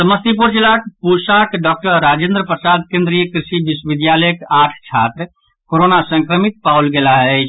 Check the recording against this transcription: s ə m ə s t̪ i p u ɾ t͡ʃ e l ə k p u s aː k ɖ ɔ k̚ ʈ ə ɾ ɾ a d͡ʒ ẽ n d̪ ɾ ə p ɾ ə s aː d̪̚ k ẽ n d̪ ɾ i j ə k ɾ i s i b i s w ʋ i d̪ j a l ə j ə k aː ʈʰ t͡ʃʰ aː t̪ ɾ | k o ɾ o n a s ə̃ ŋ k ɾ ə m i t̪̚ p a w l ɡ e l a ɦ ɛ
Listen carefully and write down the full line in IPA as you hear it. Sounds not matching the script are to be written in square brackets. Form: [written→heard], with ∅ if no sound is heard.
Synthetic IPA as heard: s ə m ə s t̪ i p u ɾ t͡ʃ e l [ə→a] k p u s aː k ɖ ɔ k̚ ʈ ə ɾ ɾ a d͡ʒ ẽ n d̪ ɾ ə p ɾ ə s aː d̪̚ k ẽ n d̪ ɾ i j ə k ɾ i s i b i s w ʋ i d̪ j a l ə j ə k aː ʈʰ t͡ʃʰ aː t̪ ɾ | k o ɾ o n a s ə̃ ŋ k ɾ ə m i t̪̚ p a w l ɡ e l a ɦ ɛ